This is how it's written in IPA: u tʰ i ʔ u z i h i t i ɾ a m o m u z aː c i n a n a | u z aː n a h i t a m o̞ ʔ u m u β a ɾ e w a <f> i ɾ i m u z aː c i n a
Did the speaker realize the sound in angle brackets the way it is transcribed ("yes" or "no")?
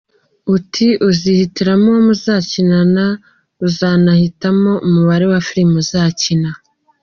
yes